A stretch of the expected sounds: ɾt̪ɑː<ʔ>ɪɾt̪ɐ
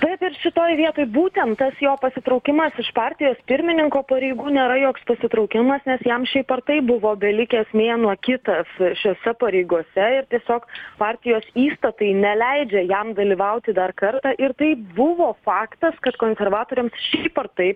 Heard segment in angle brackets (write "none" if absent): ʔ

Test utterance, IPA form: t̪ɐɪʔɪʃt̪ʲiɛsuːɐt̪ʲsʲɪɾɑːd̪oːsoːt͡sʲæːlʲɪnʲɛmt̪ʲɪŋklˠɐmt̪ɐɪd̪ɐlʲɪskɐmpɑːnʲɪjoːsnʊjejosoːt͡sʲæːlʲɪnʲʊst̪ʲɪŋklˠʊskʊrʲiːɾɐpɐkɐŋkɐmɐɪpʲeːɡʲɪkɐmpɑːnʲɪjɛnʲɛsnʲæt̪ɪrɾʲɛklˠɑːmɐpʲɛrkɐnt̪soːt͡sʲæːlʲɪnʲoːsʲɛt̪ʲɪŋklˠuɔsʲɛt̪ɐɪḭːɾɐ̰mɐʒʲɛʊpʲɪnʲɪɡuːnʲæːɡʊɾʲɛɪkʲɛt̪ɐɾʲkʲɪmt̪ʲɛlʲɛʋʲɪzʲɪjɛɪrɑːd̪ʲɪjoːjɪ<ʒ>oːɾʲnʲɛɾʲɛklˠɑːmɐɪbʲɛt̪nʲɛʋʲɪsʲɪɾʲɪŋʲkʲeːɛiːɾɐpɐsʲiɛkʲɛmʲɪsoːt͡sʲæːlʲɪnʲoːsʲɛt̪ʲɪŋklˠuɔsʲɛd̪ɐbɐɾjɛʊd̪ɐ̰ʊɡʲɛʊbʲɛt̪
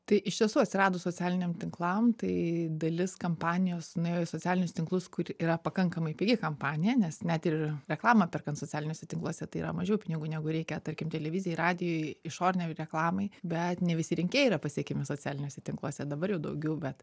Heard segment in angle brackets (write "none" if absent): ʃ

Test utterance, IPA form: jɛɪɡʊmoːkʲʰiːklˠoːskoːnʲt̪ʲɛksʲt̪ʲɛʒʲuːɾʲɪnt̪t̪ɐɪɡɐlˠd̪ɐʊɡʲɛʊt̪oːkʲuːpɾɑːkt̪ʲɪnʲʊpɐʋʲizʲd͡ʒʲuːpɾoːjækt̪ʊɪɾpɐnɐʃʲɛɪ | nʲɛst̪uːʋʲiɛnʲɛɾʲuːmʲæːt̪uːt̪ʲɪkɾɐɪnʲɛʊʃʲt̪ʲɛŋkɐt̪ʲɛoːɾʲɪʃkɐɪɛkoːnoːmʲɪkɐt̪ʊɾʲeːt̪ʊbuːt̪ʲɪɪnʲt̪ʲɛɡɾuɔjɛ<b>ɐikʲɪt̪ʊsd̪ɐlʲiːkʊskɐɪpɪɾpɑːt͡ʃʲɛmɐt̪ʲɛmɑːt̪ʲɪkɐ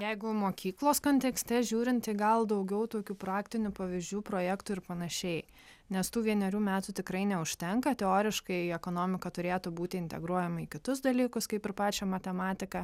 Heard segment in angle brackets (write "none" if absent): m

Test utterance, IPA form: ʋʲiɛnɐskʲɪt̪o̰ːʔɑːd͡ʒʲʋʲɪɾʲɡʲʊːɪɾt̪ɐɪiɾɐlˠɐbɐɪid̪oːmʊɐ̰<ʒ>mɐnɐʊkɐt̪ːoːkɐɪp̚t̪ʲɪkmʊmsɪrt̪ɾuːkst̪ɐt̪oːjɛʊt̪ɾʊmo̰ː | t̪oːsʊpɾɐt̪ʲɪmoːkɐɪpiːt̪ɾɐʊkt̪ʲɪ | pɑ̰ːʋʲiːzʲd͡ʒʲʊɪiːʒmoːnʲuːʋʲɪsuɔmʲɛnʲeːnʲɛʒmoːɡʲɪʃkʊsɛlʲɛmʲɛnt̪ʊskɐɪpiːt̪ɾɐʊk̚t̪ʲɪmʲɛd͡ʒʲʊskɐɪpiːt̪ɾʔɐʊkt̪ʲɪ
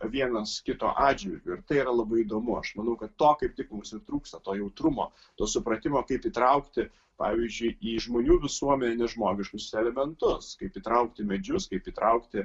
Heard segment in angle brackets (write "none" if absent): ʃ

